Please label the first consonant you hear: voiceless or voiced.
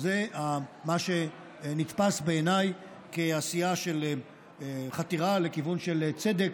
voiced